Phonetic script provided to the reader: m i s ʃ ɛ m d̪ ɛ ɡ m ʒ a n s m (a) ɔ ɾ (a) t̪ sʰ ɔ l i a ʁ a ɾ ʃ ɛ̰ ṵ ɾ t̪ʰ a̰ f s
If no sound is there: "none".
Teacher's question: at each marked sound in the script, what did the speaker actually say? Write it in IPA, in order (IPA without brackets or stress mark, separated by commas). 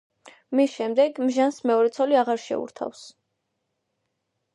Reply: ɛ, ɛ